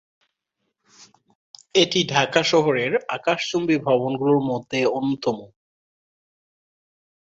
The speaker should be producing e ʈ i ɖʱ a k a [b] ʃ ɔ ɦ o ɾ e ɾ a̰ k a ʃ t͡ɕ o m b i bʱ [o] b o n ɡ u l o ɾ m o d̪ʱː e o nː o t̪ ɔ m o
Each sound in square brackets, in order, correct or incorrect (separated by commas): incorrect, incorrect